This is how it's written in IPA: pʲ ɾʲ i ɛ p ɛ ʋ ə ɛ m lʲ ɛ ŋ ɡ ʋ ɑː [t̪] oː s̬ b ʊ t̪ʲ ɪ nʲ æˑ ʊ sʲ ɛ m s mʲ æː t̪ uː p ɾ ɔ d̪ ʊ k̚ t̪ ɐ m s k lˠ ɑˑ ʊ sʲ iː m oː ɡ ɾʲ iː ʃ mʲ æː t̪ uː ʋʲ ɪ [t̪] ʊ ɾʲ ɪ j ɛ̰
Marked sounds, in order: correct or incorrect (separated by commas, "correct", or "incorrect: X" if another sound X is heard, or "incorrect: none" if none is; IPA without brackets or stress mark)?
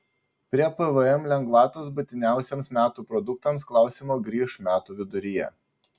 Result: correct, incorrect: d̪